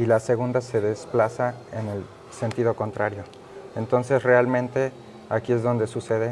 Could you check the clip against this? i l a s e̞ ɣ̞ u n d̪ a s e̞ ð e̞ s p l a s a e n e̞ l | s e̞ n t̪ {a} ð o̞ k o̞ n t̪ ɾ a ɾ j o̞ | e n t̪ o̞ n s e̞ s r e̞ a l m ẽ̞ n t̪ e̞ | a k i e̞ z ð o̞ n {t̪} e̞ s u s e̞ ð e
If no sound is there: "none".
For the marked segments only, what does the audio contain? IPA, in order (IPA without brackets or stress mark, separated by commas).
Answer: i, d̪